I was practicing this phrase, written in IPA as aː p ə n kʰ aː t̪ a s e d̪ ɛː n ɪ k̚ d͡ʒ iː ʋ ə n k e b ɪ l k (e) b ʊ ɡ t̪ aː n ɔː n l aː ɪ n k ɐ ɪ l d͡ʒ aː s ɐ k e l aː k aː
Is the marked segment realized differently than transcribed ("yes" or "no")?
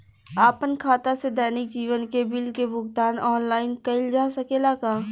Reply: no